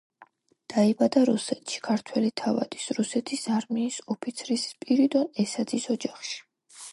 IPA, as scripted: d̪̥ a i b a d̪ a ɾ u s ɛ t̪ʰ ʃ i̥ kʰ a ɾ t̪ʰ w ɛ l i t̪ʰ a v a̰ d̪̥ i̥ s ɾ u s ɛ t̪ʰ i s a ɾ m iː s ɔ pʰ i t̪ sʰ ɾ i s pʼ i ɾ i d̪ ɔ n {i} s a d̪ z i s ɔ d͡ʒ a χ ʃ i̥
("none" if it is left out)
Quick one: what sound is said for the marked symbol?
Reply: ɛ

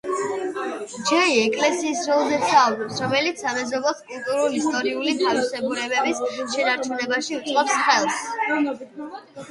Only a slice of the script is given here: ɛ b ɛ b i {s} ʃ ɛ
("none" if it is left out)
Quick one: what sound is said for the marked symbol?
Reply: s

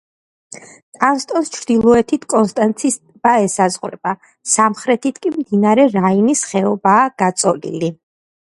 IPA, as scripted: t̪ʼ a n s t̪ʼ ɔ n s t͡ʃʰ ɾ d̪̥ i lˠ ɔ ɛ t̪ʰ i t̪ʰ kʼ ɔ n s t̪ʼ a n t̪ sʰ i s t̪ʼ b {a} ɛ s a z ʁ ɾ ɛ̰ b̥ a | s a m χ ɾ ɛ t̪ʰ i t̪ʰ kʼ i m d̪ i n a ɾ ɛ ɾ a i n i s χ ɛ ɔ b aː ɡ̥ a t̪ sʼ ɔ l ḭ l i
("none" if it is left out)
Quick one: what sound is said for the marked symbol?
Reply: a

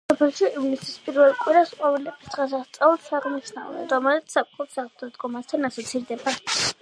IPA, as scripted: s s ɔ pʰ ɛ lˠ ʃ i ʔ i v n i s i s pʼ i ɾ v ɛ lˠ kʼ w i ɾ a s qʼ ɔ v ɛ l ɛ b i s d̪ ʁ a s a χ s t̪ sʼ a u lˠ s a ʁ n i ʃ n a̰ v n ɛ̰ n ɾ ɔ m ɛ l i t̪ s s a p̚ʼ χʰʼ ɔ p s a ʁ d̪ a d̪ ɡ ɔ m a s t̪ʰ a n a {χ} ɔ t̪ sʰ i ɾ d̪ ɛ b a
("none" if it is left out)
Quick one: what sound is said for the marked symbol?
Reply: s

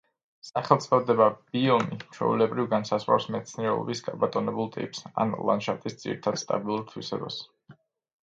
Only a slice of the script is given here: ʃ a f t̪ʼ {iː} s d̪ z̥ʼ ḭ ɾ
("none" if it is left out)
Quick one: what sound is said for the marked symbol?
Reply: i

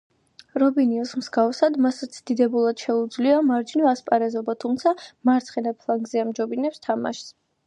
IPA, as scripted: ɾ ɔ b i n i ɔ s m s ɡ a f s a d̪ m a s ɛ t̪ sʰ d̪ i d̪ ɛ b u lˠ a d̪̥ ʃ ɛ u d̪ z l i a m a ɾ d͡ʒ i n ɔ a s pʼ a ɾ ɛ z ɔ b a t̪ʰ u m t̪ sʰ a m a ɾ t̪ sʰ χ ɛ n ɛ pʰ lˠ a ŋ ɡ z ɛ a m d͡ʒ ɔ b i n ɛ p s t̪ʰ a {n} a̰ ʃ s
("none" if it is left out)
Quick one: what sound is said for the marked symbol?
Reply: m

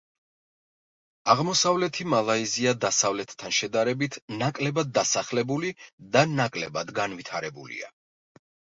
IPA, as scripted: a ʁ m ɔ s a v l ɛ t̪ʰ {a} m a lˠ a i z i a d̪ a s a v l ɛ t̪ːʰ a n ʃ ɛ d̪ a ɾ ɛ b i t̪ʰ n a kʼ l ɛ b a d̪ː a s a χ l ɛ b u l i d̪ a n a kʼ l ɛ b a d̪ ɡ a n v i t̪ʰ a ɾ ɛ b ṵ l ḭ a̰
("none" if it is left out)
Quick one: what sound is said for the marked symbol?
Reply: i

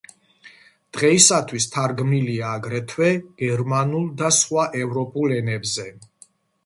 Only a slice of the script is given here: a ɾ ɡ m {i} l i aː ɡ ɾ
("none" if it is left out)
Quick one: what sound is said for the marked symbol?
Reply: i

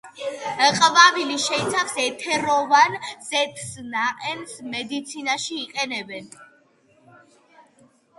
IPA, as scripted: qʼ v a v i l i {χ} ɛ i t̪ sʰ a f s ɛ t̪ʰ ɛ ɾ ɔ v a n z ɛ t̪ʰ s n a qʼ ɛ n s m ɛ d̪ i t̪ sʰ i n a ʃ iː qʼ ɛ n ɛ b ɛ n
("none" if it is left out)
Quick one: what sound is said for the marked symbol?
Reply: ʃ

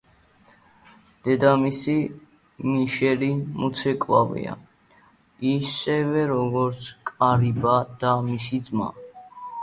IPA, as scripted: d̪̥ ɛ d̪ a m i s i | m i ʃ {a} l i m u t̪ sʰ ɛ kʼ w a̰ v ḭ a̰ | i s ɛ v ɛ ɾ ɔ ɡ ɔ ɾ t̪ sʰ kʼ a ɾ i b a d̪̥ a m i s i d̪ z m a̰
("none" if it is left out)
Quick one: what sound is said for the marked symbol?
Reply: ɛ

